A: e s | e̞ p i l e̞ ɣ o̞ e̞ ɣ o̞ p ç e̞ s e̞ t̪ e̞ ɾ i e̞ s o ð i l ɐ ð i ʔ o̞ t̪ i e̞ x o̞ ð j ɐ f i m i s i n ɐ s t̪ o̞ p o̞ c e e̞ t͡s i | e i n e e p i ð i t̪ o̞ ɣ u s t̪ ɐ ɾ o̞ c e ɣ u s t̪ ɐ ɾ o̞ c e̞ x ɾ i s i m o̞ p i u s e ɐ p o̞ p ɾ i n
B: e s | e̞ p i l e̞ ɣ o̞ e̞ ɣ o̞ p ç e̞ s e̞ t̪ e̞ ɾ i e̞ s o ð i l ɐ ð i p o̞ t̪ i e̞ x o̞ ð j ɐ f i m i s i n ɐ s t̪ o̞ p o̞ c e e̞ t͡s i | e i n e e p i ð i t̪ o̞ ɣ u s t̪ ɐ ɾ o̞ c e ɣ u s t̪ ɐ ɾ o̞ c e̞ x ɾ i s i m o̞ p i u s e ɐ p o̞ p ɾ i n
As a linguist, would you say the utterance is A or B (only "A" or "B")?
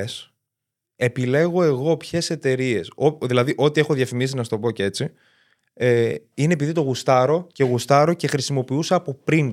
A